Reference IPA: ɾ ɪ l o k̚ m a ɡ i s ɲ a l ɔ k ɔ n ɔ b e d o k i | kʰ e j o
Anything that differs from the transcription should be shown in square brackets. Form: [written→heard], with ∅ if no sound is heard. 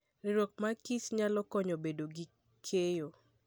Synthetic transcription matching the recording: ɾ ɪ [l→ɾ] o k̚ m a [ɡ→k] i s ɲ a l ɔ k ɔ [n→ɲ] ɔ b e d o [k→ɡ] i | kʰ e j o